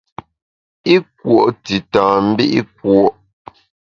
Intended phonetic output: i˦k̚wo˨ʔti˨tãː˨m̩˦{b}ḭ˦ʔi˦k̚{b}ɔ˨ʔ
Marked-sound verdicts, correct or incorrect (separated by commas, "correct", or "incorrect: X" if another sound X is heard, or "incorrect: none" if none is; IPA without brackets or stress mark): correct, incorrect: w